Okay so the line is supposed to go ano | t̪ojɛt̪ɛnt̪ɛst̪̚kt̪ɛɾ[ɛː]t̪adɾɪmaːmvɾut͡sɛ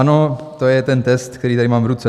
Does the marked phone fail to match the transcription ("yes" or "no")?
yes